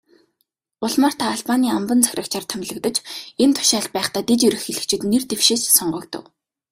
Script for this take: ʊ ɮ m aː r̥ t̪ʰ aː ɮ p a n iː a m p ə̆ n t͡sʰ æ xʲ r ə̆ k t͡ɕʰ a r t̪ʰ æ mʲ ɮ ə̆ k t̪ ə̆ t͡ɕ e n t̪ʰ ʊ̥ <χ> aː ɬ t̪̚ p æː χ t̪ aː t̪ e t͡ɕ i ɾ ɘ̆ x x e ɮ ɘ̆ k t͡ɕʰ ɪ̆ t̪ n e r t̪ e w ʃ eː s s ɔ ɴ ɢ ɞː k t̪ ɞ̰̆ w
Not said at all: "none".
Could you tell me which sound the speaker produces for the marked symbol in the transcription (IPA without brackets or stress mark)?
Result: ʃ